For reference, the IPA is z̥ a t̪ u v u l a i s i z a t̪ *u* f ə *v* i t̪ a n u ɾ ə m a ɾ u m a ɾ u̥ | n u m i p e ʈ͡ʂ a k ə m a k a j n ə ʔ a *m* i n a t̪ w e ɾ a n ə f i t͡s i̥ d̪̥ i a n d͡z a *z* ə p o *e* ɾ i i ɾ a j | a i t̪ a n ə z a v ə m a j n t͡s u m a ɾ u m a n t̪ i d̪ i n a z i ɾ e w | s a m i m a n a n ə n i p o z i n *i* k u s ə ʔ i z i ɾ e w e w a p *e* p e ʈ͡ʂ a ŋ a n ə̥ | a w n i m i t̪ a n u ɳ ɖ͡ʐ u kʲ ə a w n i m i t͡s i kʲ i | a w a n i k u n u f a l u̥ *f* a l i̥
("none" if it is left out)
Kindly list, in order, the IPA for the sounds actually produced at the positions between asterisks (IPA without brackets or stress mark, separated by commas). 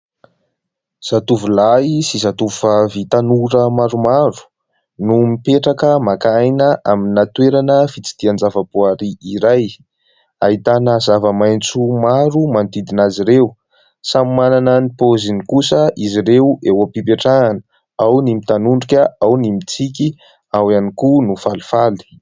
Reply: u, v, m, v, a, i, i, f